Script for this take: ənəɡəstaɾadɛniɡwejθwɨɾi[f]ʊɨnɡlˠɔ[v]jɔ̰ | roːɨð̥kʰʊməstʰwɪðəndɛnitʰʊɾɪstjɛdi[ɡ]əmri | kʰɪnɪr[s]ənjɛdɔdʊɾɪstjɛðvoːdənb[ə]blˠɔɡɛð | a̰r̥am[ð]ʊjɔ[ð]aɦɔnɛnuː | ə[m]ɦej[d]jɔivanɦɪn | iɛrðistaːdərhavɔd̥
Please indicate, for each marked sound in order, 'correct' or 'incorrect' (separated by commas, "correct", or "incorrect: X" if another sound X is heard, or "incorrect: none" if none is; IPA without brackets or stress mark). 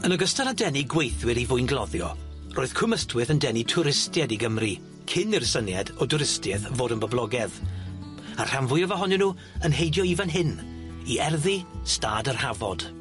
incorrect: v, incorrect: ð, correct, correct, correct, incorrect: v, incorrect: v, incorrect: n, correct